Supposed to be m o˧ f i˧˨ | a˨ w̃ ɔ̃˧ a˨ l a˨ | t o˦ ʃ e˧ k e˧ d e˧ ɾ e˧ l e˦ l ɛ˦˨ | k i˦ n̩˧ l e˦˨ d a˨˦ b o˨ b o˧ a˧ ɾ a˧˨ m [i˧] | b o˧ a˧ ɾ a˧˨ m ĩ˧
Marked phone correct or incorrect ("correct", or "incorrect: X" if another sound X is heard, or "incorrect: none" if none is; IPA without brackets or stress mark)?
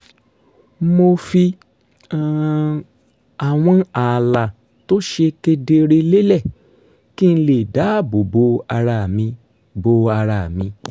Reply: incorrect: ĩ˧